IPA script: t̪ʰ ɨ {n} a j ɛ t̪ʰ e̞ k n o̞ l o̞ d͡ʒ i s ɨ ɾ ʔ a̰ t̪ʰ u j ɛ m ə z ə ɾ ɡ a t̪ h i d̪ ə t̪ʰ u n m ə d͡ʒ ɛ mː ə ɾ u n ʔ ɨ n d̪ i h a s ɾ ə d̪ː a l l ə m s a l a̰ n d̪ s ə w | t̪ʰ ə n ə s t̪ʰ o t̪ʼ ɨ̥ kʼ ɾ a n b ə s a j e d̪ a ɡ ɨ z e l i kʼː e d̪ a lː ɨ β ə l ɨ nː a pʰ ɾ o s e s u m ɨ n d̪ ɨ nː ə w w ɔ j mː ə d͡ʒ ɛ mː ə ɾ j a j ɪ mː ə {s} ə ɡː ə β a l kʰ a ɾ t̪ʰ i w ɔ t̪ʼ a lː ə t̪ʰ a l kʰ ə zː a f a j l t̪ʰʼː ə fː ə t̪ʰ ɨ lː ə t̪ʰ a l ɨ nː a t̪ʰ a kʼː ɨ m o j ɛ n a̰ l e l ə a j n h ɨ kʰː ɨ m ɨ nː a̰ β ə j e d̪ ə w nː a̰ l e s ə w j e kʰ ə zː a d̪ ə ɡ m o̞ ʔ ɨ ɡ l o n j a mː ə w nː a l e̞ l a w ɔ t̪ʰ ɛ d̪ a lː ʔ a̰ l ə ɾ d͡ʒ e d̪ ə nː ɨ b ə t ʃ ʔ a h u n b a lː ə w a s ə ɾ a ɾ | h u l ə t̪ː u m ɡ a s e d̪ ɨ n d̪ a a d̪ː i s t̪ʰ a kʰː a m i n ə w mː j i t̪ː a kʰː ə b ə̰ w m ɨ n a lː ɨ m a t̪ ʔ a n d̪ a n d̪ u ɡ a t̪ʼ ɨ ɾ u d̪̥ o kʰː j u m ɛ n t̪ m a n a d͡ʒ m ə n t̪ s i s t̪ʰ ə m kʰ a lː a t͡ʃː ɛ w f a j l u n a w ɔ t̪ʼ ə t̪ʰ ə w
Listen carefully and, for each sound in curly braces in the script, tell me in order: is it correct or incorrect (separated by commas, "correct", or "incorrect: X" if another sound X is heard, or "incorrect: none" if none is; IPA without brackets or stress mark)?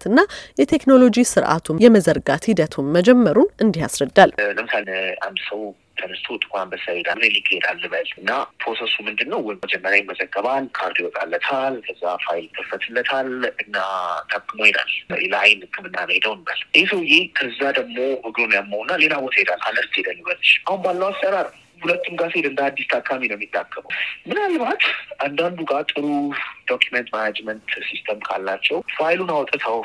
incorrect: nː, incorrect: z